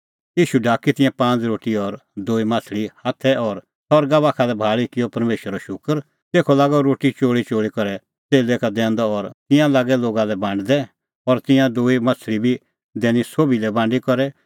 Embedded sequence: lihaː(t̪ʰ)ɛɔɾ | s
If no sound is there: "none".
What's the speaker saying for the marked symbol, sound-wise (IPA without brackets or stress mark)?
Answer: t̪ʰ